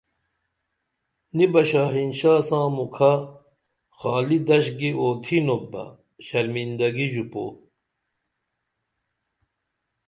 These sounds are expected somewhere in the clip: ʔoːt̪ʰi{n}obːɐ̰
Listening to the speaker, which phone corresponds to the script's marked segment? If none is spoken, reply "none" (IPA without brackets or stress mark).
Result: n